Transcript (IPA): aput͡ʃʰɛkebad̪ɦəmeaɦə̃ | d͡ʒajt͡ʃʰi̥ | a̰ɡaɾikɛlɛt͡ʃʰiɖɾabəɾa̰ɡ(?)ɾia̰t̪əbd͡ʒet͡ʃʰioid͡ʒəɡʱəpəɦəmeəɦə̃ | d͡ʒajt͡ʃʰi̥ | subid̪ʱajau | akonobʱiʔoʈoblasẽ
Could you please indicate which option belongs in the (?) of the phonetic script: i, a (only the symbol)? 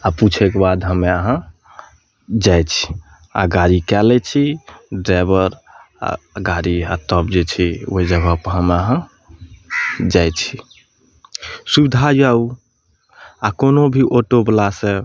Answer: a